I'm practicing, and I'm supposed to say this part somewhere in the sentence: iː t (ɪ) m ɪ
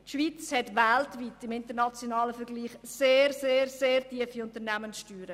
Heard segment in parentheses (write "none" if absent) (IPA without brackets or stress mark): ɪ